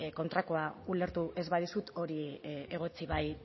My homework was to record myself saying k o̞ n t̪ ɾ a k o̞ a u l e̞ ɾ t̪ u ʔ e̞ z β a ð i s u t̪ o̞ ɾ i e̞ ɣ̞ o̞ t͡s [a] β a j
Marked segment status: incorrect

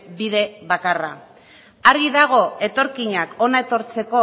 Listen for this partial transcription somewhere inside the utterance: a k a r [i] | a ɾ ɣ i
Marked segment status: incorrect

